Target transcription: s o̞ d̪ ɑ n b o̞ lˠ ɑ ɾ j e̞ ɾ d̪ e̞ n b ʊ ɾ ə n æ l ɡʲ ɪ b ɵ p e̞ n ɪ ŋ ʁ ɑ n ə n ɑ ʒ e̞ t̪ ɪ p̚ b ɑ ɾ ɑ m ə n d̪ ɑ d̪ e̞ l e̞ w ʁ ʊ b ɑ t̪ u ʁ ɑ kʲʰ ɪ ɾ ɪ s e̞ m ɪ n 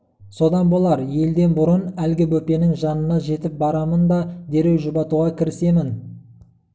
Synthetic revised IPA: s o̞ d̪ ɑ n b o̞ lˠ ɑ ɾ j e̞ l d̪ e̞ n b ʊ ɾ ə n æ l ɡʲ ɪ b ɵ p e̞ n ɪ ŋ ʒ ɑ n ə n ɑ ʒ e̞ t̪ ɪ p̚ b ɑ ɾ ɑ m ə n d̪ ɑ d̪ e̞ ɾ e̞ w ʒ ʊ b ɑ t̪ u ʁ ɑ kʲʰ ɪ ɾ ɪ s e̞ m ɪ n